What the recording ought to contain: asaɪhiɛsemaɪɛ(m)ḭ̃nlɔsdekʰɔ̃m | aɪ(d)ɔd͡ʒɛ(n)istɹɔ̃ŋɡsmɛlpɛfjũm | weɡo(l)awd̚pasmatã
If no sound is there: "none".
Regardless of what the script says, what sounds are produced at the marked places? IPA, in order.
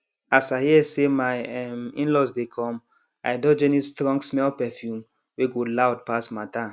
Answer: m, d, n, l

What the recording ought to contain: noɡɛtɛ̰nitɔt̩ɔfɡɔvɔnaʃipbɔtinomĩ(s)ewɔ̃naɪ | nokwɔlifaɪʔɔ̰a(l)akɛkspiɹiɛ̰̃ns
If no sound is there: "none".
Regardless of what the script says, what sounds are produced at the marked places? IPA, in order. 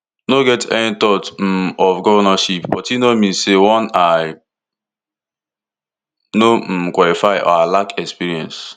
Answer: s, l

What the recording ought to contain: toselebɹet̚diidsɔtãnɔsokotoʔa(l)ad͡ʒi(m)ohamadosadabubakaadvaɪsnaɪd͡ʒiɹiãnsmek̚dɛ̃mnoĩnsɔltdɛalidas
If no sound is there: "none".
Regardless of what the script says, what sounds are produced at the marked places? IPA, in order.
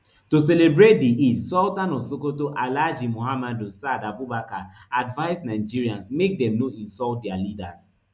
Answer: l, m

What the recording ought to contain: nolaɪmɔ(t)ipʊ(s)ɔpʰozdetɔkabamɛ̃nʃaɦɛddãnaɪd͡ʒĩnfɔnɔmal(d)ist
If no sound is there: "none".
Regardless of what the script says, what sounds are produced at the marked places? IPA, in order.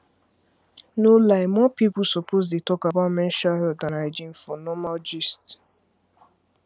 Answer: p, s, d͡ʒ

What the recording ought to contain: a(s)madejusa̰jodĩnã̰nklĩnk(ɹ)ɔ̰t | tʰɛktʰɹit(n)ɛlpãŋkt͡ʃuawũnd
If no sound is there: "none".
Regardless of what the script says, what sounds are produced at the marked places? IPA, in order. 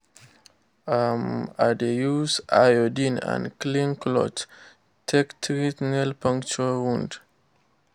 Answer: none, l, n

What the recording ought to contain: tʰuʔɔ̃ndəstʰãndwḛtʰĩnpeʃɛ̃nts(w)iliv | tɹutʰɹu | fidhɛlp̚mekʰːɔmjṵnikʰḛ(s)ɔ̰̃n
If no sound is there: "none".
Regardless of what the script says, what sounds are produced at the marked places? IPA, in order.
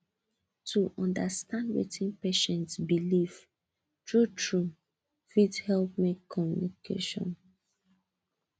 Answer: b, ʃ

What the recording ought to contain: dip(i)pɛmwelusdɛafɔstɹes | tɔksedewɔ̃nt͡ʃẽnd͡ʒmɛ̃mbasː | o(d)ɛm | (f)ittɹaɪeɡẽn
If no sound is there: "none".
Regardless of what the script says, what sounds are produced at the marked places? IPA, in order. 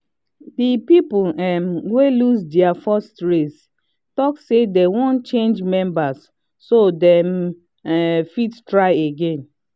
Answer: i, d, f

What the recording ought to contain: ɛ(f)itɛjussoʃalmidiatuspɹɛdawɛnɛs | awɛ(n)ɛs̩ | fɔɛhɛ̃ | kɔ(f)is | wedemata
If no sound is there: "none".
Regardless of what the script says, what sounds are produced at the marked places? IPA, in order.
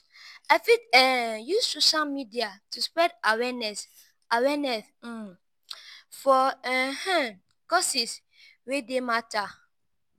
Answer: f, n, s

